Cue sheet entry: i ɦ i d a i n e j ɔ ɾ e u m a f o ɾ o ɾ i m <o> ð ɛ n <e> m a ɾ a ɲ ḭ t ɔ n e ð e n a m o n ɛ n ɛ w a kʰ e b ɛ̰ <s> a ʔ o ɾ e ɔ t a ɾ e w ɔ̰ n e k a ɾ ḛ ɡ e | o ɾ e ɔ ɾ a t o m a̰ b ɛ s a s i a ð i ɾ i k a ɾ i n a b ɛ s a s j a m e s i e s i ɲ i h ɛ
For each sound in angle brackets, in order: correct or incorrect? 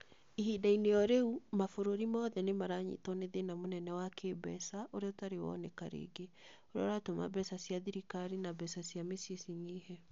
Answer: incorrect: ɔ, correct, correct

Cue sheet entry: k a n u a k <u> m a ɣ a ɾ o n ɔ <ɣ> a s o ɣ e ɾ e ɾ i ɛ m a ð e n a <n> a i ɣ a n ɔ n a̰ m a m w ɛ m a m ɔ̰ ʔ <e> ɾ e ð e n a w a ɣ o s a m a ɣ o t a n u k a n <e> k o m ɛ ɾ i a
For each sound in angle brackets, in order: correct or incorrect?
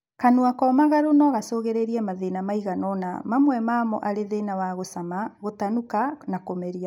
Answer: incorrect: ɔ, correct, incorrect: m, incorrect: a, incorrect: a

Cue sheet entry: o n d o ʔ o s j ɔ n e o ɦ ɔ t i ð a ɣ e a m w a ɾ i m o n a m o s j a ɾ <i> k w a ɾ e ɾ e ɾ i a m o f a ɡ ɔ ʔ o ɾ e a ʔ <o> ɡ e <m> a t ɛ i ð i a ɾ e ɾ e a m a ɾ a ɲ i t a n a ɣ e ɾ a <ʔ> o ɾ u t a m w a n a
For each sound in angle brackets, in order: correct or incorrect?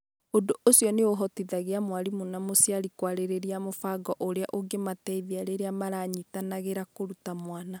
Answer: correct, correct, correct, incorrect: k

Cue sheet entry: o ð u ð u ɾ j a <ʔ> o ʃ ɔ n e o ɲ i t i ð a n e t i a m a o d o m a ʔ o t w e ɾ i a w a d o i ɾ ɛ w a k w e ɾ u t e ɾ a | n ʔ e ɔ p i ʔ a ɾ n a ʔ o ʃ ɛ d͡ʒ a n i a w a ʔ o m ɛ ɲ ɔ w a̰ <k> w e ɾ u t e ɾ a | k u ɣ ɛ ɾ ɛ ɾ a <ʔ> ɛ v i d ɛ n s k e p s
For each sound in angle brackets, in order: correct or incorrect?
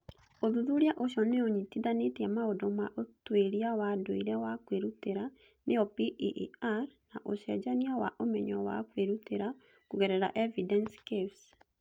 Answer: correct, correct, correct

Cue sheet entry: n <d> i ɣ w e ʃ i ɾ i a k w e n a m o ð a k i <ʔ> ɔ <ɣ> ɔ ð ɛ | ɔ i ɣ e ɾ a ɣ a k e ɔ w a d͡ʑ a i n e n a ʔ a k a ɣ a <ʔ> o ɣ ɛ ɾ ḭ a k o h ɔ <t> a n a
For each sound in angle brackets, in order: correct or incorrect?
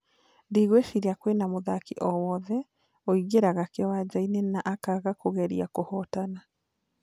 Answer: correct, correct, incorrect: w, incorrect: k, correct

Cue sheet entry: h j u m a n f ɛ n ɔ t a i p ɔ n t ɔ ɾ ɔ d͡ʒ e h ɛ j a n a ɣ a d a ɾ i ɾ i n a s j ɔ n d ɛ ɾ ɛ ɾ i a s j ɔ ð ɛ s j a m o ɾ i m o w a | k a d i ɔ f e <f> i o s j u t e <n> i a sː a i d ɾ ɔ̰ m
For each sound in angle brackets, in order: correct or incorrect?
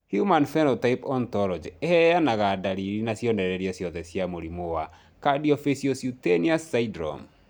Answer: incorrect: s, correct

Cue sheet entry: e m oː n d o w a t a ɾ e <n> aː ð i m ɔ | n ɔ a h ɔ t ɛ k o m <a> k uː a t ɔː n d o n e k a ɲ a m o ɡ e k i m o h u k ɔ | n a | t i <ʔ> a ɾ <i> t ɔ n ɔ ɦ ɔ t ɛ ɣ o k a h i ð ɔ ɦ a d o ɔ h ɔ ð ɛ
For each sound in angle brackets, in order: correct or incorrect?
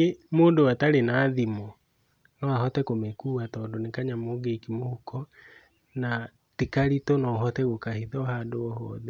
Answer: correct, incorrect: e, incorrect: k, correct

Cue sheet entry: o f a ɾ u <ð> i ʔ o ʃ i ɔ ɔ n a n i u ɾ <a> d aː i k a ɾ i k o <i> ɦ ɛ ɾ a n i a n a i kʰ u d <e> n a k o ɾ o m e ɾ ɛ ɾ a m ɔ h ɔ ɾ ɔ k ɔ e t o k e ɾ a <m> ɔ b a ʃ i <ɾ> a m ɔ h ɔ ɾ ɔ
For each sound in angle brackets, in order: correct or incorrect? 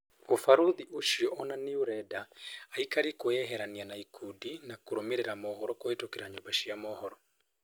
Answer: correct, incorrect: ɛ, incorrect: ɛ, incorrect: i, incorrect: ɲ, incorrect: none

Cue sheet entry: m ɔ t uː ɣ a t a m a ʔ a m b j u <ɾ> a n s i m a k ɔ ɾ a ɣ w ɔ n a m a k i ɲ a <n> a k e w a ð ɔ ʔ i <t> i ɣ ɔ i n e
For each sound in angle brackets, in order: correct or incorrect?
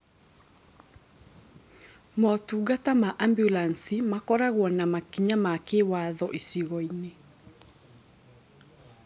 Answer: incorrect: l, incorrect: m, incorrect: s

